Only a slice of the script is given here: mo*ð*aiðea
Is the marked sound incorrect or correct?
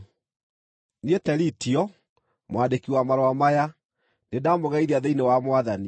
incorrect